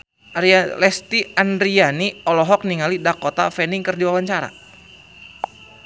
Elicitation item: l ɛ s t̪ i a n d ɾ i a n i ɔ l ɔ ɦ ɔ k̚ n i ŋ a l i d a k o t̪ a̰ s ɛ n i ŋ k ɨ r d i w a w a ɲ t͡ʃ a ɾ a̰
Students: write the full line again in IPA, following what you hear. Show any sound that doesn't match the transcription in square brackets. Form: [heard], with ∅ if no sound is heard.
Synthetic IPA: l ɛ s t̪ i a n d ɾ i a n i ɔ l ɔ ɦ ɔ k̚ n i ŋ a l i d a k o t̪ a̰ [f] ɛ n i ŋ k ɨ r d i w a w a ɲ t͡ʃ a ɾ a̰